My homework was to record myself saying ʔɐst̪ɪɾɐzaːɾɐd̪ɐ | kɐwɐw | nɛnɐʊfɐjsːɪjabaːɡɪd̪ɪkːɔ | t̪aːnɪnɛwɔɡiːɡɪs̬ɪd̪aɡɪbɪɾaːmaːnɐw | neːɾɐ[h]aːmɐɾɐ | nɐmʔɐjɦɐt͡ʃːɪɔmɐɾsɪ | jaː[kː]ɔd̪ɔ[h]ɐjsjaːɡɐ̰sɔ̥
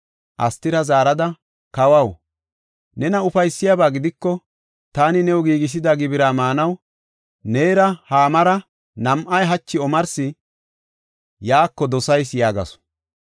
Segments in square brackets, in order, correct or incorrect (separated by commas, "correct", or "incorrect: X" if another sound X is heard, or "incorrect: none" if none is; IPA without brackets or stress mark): correct, correct, incorrect: s